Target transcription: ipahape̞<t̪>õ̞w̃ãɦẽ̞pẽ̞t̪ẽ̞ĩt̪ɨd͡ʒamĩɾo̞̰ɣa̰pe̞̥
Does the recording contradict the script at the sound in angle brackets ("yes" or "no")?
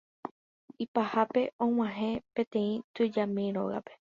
yes